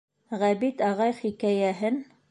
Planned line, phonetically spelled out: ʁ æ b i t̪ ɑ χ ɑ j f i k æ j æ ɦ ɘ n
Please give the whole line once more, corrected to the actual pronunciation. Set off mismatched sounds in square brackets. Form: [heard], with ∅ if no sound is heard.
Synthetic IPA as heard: ʁ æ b i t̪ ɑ [ʁ] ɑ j [χ] i k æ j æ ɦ ɘ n